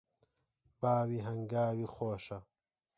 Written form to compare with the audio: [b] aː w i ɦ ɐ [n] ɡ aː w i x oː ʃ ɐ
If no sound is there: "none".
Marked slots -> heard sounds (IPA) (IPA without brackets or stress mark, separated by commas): b, ŋ